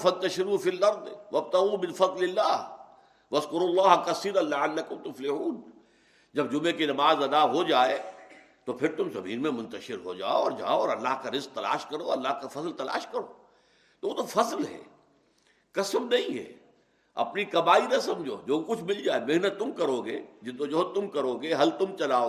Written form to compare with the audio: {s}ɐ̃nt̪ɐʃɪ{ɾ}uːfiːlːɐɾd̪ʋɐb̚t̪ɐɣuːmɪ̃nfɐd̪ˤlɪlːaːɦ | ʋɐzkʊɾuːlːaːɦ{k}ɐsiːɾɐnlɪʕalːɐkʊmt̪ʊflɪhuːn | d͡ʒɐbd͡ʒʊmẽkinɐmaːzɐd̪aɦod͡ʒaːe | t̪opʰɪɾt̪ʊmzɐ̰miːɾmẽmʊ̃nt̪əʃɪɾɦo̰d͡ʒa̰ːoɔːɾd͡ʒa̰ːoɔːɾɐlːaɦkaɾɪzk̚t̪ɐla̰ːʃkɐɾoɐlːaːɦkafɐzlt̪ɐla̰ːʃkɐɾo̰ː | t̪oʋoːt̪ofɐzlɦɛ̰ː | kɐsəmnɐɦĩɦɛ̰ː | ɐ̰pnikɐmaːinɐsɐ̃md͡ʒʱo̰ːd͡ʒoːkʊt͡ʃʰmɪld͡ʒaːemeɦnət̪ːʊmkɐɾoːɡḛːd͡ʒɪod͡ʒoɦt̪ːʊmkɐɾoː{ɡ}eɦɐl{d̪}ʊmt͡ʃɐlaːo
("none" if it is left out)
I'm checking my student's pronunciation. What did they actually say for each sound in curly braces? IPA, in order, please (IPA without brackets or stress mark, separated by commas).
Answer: f, ɾ, k, ɡ, t̪